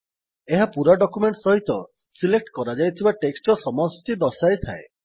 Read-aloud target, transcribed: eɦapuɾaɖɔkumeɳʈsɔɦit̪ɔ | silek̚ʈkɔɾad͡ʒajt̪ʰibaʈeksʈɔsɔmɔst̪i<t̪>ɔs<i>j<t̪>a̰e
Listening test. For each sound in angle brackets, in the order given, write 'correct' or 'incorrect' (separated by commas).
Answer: incorrect, incorrect, incorrect